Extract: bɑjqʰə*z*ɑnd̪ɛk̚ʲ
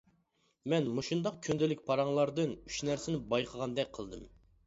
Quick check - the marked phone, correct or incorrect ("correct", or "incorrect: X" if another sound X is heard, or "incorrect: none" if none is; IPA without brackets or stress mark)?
incorrect: ʁ